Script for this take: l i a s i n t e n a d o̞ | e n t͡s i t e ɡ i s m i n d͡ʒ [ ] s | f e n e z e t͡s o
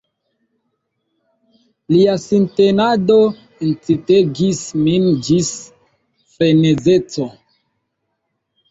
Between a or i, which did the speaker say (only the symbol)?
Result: i